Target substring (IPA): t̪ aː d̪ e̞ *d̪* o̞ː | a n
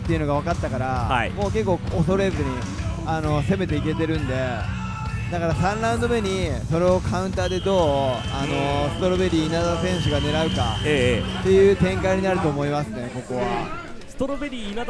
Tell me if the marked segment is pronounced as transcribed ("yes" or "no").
yes